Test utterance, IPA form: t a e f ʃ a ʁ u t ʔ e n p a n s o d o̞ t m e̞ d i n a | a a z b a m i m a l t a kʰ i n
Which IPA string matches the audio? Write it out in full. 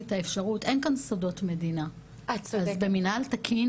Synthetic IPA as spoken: t a e f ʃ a ʁ u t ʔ e n k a n s o d o̞ t m e̞ d i n a | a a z b e m i n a l t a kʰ i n